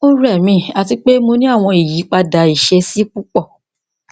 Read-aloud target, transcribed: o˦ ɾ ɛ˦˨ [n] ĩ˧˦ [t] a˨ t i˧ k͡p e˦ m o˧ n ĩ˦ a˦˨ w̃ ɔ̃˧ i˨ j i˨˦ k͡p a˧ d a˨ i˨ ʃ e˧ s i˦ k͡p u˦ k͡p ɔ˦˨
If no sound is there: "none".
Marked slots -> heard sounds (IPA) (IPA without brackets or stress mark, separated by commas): m, none